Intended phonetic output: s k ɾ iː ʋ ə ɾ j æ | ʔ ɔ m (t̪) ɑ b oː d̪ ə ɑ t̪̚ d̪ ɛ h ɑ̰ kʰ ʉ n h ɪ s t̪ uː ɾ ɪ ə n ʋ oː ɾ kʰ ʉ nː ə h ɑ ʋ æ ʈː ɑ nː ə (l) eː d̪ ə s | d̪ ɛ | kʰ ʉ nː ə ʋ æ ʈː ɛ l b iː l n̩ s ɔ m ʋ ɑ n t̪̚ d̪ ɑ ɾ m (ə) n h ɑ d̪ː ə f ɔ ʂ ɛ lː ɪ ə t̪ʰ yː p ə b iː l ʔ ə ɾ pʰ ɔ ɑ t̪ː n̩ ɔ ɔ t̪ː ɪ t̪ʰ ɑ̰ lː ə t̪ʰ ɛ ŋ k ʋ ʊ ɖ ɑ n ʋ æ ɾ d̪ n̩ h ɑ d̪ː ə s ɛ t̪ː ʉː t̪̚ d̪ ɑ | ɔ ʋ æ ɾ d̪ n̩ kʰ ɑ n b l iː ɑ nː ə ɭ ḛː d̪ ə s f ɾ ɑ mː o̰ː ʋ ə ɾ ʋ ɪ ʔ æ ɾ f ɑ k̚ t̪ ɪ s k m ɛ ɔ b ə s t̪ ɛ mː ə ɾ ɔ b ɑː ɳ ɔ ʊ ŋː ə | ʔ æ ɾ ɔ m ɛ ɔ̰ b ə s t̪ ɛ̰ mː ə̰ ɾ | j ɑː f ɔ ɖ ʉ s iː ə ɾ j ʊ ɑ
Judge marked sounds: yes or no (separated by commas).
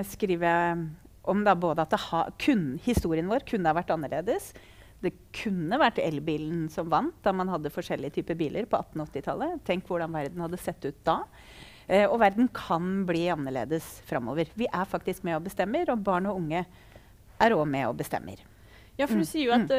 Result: no, no, no